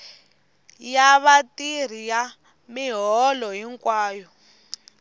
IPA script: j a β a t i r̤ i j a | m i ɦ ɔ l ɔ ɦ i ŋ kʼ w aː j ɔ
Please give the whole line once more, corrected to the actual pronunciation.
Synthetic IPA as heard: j a β a t i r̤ i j a | m i ɦ ɔ l ɔ ɦ i ŋ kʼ w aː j ɔ